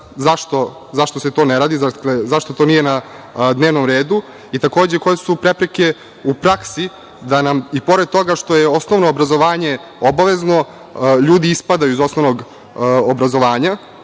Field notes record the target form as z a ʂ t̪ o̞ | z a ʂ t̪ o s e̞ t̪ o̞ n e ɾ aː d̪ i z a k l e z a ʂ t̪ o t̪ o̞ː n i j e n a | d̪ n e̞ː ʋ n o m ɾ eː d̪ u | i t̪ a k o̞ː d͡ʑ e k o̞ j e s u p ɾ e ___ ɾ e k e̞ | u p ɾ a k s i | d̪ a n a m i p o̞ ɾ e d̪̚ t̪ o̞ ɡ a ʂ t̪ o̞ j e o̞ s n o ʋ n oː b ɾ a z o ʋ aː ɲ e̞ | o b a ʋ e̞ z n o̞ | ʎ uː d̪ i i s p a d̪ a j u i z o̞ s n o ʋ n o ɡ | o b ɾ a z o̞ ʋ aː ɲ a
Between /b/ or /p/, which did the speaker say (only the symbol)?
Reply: p